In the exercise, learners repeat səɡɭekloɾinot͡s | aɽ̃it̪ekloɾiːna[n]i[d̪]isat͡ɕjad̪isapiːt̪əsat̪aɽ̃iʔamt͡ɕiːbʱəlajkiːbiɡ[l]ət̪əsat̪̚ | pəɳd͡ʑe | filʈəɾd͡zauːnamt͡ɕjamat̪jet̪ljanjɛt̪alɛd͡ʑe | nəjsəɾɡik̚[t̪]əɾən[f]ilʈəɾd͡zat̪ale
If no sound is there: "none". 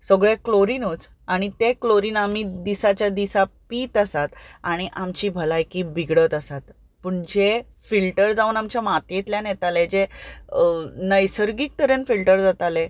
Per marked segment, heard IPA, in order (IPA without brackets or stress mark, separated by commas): m, d̪, ɽ, t̪, f